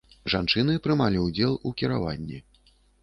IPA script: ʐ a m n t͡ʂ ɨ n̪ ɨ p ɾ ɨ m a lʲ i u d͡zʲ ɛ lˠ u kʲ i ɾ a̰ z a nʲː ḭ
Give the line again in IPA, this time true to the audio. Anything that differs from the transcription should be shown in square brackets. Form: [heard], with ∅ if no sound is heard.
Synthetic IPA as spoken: ʐ a [∅] n t͡ʂ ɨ n̪ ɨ p ɾ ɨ m a lʲ i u d͡zʲ ɛ lˠ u kʲ i ɾ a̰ [v] a nʲː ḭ